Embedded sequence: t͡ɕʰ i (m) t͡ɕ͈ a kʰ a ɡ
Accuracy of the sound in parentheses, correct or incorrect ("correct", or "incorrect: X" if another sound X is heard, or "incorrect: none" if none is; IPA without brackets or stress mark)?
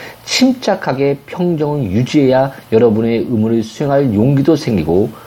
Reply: correct